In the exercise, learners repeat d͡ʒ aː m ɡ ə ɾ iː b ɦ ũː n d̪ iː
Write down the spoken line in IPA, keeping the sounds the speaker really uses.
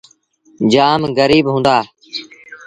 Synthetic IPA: d͡ʒ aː m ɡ ə ɾ iː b ɦ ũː n d̪ aː